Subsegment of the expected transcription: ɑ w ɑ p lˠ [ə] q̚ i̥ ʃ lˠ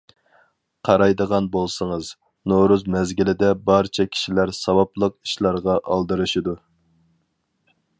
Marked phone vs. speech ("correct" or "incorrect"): correct